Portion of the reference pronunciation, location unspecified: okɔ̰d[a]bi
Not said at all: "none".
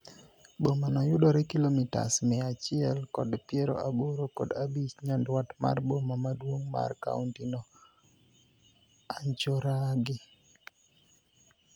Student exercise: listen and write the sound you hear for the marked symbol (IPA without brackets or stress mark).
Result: a